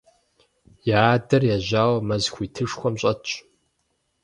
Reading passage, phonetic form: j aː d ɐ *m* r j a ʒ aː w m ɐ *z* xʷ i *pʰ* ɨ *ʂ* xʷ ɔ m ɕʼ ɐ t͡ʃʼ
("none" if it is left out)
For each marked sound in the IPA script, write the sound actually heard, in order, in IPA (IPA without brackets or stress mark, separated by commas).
none, z, tʰ, ʂ